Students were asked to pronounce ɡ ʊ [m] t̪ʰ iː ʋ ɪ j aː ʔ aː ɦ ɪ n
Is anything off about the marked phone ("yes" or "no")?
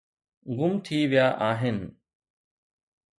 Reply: no